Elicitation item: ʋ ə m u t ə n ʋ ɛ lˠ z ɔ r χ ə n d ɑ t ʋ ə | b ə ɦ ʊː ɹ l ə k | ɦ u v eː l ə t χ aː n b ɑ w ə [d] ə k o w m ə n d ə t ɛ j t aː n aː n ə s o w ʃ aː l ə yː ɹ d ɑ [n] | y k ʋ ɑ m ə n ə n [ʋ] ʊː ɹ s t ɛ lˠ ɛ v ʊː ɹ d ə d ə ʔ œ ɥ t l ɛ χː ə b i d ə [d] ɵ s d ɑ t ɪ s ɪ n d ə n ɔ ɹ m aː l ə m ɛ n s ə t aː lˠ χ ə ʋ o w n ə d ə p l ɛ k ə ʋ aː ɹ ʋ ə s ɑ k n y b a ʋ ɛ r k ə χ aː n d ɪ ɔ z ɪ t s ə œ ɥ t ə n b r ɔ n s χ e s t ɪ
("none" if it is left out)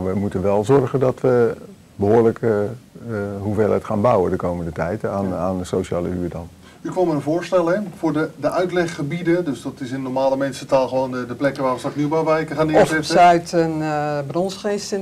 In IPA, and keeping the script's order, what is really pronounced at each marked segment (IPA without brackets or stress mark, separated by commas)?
d, n, v, d